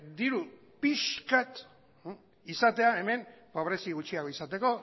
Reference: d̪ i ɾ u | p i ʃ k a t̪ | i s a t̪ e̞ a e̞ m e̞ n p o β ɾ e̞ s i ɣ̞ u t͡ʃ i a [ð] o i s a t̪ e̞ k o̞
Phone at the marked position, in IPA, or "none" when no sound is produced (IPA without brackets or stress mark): ɣ